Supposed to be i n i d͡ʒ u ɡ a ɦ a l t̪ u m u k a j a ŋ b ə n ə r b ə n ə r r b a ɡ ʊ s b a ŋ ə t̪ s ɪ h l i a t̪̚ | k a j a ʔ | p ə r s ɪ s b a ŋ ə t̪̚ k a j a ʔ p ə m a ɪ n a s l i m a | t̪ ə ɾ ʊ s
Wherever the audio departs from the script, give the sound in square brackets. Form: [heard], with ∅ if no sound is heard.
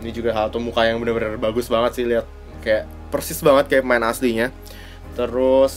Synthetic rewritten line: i n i d͡ʒ u ɡ a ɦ a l t̪ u m u k a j a ŋ b ə n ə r b ə n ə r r b a ɡ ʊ s b a ŋ ə t̪ s ɪ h l i a t̪̚ | k a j a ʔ | p ə r s ɪ s b a ŋ ə t̪̚ k a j a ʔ p ə m a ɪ n a s l i [ɲ] a | t̪ ə ɾ ʊ s